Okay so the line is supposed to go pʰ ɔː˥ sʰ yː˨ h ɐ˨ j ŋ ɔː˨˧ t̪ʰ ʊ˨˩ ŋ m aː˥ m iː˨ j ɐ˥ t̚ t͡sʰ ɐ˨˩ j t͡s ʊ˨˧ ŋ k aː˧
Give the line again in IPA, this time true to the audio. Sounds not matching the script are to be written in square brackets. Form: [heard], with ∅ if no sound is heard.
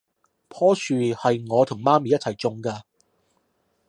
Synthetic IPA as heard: pʰ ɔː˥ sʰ yː˨ h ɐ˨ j ŋ ɔː˨˧ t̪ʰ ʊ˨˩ ŋ m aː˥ m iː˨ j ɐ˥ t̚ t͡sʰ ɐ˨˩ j t͡s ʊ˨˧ ŋ k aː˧